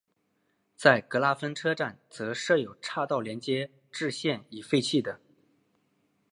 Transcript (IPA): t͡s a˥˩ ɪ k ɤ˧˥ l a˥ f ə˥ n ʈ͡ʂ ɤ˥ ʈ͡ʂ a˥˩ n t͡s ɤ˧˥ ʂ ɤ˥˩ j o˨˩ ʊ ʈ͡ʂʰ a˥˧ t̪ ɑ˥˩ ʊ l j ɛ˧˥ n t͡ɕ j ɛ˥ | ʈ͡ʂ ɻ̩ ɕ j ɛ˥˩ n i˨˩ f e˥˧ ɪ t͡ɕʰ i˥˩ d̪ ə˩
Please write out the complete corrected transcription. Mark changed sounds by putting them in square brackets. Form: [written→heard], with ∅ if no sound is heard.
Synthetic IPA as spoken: t͡s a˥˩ ɪ k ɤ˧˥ l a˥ f ə˥ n [ʈ͡ʂ→ʈ͡ʂʰ] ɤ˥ ʈ͡ʂ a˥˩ n t͡s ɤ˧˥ ʂ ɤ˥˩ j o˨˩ ʊ ʈ͡ʂʰ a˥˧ t̪ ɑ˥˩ ʊ l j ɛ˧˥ n t͡ɕ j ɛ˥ | ʈ͡ʂ ɻ̩ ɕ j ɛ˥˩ n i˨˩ f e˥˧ ɪ t͡ɕʰ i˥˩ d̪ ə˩